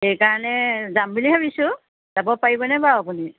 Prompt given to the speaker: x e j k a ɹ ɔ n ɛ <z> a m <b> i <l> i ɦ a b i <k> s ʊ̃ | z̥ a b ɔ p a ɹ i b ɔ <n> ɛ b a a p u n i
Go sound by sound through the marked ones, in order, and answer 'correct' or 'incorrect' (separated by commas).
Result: correct, correct, correct, incorrect, correct